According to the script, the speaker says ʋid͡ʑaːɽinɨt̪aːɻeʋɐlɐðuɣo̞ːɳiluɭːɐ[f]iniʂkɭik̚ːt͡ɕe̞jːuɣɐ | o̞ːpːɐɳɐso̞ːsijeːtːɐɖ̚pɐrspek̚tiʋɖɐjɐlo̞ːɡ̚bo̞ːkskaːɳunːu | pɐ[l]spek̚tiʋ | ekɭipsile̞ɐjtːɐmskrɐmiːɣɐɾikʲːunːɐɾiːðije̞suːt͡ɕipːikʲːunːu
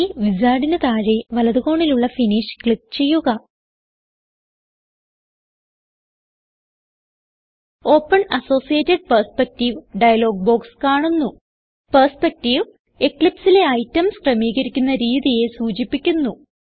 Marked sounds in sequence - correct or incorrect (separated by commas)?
correct, incorrect